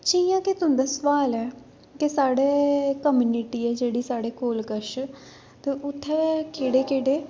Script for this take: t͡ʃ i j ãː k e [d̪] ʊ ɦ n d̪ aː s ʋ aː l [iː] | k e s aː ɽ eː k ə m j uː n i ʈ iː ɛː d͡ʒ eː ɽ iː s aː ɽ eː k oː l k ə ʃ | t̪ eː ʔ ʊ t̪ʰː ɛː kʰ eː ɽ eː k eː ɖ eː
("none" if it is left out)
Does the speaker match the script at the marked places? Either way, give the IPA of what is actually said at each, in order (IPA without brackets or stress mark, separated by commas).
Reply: t̪, ɛː